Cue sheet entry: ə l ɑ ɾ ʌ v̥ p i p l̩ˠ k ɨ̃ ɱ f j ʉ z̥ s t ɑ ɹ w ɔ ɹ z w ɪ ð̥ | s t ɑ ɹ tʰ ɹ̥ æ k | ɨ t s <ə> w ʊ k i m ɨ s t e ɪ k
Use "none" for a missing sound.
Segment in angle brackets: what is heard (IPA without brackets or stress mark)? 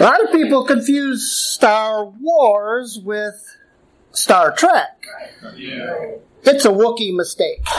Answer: ə